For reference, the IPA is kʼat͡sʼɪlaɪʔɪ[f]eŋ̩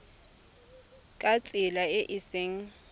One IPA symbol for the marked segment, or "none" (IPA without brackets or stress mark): s